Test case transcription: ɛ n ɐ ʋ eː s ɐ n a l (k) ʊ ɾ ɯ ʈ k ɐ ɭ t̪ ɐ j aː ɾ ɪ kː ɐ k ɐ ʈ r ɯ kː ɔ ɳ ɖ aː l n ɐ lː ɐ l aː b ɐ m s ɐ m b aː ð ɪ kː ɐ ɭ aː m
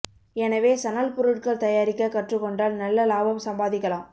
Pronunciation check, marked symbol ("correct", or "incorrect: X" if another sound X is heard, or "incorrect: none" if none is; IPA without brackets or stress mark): incorrect: p